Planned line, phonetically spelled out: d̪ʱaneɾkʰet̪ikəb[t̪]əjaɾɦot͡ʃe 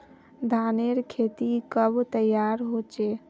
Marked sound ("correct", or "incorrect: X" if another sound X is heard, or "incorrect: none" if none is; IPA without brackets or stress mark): correct